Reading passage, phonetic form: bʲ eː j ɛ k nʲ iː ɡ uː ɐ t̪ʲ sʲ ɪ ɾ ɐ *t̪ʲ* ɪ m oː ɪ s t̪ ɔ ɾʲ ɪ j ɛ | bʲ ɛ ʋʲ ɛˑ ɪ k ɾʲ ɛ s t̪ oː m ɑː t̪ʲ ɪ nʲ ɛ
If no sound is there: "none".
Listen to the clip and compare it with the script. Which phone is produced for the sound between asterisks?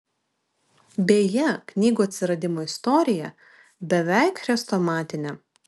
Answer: d̪ʲ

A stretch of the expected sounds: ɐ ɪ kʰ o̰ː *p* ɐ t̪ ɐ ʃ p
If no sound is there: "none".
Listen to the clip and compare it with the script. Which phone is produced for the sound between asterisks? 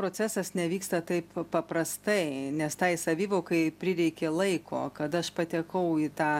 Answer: k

